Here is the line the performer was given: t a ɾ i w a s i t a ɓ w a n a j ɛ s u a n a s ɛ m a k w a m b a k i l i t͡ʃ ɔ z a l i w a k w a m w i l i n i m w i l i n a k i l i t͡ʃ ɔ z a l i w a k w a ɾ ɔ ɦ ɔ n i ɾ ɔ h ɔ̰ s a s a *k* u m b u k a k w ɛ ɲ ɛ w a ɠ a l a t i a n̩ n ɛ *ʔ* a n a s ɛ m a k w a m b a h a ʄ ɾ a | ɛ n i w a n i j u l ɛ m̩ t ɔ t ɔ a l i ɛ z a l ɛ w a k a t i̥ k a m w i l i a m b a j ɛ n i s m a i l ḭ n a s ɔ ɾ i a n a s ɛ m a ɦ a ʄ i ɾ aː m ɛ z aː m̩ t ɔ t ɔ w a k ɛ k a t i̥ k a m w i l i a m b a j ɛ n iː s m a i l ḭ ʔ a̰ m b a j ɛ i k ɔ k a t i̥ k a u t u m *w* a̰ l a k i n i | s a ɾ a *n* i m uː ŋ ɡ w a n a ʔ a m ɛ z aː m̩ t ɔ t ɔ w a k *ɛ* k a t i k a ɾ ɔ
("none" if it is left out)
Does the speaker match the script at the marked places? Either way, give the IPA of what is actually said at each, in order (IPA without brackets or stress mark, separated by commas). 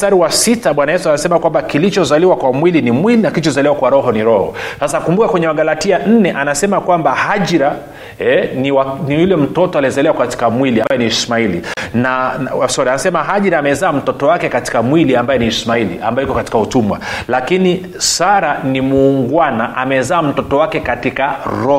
k, ʔ, w, n, ɛ